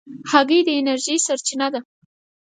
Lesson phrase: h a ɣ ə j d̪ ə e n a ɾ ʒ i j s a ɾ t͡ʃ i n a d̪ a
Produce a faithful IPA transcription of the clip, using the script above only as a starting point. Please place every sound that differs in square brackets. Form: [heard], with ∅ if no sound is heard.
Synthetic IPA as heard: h a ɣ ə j d̪ ə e n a ɾ ʒ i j s a ɾ t͡ʃ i n a d̪ a